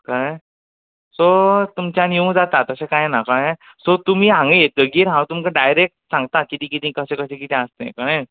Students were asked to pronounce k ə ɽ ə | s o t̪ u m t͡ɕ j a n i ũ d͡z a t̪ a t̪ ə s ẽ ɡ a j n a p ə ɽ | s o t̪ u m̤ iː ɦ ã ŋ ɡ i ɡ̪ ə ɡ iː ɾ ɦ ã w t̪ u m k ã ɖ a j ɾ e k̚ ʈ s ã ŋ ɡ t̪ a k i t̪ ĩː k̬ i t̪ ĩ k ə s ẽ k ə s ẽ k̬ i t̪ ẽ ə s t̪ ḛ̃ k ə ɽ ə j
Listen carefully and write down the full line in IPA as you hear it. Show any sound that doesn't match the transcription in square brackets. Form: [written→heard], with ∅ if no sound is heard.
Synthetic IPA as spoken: k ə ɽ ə | s o t̪ u m t͡ɕ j a n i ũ d͡z a t̪ a t̪ ə s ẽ [ɡ→k] a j n a [p→k] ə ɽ | s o t̪ u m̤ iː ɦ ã ŋ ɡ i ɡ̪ ə ɡ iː ɾ ɦ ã w t̪ u m k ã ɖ a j ɾ e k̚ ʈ s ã ŋ ɡ t̪ a k i t̪ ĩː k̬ i t̪ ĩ k ə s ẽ k ə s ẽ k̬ i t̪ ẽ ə s t̪ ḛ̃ k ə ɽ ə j